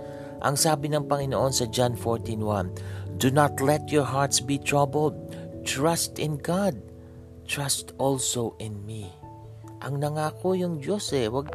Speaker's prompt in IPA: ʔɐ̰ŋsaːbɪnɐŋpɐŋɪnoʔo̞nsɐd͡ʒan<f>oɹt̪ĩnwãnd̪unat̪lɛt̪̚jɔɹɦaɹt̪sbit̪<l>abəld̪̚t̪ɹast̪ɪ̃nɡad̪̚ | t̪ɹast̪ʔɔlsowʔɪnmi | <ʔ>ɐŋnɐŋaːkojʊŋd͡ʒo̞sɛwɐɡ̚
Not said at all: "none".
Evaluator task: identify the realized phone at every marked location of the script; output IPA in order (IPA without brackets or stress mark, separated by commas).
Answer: f, ɹ, ʔ